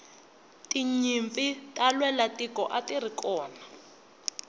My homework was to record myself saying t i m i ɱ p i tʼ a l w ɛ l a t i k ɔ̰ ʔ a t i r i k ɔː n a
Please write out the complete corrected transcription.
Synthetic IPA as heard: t i ɲ i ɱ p i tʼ a l w ɛ l a t i k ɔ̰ ʔ a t i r i k ɔː n a